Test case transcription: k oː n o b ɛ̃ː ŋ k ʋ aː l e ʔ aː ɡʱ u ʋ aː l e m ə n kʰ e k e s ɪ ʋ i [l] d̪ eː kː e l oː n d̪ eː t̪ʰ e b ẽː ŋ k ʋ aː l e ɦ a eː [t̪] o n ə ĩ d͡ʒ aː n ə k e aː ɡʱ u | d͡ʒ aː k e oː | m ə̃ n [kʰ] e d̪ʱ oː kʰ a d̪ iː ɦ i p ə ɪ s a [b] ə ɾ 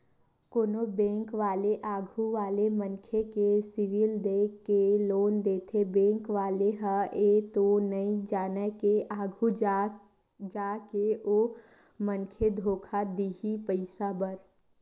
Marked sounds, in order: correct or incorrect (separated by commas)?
correct, correct, correct, correct